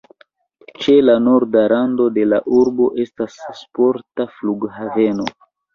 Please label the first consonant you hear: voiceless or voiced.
voiceless